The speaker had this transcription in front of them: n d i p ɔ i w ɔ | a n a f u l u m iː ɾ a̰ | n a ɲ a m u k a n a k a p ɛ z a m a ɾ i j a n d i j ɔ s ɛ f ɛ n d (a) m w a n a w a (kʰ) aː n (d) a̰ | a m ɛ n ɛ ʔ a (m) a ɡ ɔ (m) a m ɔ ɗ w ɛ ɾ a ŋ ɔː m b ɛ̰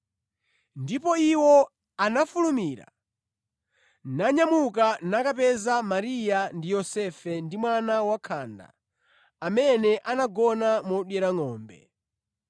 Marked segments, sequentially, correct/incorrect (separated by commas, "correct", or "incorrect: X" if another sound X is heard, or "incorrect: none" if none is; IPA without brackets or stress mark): incorrect: i, correct, correct, incorrect: n, incorrect: n